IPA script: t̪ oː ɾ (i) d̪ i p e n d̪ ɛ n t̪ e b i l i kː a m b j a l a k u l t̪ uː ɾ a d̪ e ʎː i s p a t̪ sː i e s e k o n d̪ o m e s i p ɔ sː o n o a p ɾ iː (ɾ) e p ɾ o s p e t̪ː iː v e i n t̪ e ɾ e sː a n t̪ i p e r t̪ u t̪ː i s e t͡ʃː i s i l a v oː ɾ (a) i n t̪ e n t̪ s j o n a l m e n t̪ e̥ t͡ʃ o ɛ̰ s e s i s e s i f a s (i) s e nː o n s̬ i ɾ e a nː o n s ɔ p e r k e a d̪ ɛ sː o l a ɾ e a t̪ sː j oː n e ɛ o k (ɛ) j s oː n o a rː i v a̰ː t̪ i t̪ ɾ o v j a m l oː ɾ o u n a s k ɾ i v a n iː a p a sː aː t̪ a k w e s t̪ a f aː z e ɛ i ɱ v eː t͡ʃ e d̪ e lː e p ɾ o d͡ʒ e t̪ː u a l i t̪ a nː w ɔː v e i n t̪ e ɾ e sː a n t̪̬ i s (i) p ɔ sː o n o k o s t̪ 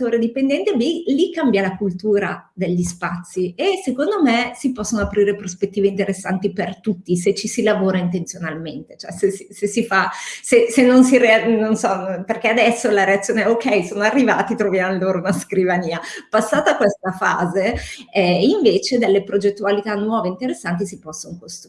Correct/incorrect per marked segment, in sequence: incorrect: e, correct, correct, incorrect: e, correct, correct

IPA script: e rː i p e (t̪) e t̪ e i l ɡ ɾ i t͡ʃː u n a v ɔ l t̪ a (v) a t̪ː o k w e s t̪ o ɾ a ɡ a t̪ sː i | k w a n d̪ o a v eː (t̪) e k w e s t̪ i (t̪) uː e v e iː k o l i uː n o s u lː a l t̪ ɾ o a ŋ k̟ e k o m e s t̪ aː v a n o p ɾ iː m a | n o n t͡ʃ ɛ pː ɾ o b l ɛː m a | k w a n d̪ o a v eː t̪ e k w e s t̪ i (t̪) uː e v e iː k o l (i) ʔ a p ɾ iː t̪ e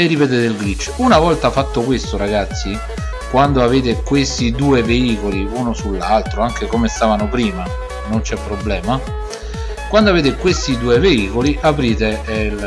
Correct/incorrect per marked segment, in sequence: correct, incorrect: f, correct, incorrect: d̪, incorrect: d̪, correct

